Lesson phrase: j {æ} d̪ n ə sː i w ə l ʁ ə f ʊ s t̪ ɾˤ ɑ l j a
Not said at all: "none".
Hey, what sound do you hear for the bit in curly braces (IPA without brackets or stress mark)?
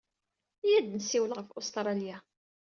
æ